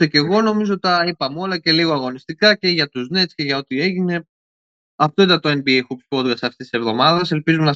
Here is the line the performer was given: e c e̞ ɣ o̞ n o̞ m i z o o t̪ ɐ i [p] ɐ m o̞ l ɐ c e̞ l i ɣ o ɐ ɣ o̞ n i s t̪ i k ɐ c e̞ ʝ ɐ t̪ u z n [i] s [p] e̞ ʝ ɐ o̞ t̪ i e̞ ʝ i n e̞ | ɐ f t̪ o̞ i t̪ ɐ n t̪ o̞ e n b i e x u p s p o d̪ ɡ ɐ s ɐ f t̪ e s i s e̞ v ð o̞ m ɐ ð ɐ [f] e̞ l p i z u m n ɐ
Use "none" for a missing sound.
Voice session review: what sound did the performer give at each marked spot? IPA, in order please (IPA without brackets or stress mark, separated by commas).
p, e, c, s